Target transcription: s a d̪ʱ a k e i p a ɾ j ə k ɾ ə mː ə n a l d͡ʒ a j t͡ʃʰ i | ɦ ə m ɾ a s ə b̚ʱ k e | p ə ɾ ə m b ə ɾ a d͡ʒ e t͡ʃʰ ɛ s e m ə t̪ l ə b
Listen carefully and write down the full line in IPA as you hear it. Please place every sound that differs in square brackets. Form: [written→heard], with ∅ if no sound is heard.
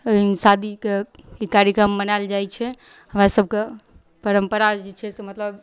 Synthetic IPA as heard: s a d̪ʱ [a→i] k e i [p→k] a ɾ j ə k ɾ ə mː ə n a l d͡ʒ a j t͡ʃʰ [i→ɛ] | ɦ ə m ɾ a s ə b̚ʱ k e | p ə ɾ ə m [b→p] ə ɾ a d͡ʒ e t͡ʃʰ ɛ s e m ə t̪ l ə b